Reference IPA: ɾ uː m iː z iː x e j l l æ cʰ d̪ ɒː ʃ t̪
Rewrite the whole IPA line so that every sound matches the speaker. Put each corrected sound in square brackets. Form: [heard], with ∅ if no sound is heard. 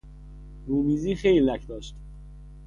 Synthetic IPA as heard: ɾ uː m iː z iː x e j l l æ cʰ d̪ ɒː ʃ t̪